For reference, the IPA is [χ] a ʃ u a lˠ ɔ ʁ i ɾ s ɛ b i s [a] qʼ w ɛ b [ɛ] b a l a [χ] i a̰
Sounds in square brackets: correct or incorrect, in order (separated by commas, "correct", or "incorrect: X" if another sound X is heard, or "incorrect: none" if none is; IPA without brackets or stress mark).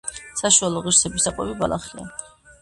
incorrect: s, correct, incorrect: i, correct